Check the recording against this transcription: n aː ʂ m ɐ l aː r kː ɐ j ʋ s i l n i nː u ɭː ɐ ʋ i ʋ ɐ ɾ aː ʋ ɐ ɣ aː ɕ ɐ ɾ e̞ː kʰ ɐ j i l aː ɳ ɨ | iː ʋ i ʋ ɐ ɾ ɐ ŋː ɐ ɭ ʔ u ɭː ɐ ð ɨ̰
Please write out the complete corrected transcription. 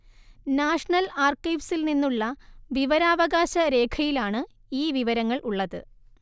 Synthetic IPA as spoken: n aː ʂ ɳ ɐ l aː r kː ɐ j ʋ s i l n i nː u ɭː ɐ ʋ i ʋ ɐ ɾ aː ʋ ɐ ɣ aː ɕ ɐ ɾ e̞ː kʰ ɐ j i l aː ɳ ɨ | iː ʋ i ʋ ɐ ɾ ɐ ŋː ɐ ɭ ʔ u ɭː ɐ ð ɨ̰